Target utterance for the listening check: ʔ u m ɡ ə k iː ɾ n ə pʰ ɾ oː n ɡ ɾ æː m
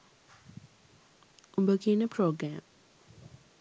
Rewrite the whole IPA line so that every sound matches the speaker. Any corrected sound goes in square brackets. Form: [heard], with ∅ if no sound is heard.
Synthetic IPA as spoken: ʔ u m [b] ə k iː [∅] n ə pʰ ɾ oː [∅] ɡ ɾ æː m